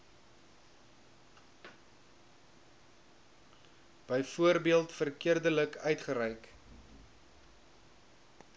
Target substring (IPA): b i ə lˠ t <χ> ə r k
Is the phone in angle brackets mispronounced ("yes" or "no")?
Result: yes